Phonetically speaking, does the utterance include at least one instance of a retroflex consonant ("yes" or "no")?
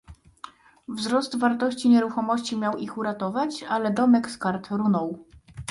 no